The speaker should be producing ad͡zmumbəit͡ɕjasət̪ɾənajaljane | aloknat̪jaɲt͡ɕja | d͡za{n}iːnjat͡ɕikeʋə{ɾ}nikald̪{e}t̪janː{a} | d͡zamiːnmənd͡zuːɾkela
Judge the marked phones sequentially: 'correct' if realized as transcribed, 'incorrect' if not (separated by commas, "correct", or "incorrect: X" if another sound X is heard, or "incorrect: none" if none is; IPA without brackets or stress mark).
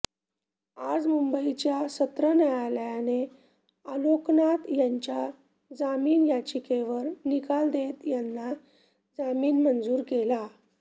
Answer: incorrect: m, correct, correct, correct